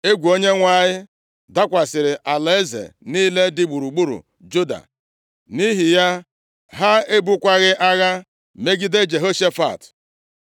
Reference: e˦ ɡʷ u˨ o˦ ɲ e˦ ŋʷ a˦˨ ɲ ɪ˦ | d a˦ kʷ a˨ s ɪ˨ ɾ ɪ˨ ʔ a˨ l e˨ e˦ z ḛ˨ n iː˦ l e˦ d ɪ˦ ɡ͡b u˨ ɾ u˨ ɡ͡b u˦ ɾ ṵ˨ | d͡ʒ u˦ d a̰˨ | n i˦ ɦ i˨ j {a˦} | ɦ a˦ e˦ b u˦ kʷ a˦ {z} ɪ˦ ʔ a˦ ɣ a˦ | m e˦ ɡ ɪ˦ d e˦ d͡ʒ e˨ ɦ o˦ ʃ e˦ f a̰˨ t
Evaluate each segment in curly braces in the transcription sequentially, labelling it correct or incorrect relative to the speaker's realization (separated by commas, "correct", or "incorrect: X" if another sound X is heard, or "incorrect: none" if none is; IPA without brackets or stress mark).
correct, incorrect: ɣ